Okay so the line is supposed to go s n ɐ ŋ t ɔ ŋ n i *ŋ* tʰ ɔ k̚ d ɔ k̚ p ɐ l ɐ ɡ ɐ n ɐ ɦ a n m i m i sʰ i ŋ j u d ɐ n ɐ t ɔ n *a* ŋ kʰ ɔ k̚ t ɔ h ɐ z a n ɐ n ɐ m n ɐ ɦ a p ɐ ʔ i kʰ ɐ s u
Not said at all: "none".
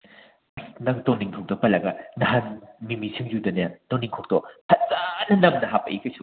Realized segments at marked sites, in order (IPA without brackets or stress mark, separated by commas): ŋ, i